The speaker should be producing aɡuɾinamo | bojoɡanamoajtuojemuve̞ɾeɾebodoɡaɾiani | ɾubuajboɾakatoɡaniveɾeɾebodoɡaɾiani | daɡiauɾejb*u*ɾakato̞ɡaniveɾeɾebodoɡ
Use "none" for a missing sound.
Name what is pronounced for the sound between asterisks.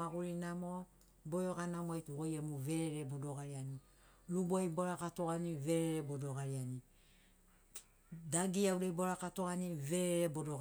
o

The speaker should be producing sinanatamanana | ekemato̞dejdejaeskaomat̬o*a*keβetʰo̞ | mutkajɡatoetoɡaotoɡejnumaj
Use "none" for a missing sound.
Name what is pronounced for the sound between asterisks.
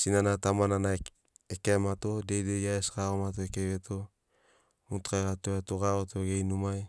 e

